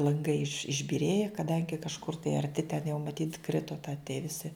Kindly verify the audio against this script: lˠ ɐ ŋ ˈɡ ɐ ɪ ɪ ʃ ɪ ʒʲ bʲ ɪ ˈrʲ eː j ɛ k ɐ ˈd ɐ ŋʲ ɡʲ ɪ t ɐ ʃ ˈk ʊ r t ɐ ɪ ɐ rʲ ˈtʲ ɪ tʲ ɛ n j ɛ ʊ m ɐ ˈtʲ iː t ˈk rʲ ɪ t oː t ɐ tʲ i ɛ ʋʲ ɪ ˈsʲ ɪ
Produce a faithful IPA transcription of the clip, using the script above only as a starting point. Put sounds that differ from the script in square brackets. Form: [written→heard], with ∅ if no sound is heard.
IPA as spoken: lˠ ɐ ŋ ˈɡ ɐ ɪ ɪ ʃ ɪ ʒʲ bʲ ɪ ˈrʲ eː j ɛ k ɐ ˈd ɐ ŋʲ ɡʲ ɪ [t→k] ɐ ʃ ˈk ʊ r t ɐ ɪ ɐ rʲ ˈtʲ ɪ tʲ ɛ n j ɛ ʊ m ɐ ˈtʲ iː t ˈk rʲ ɪ t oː t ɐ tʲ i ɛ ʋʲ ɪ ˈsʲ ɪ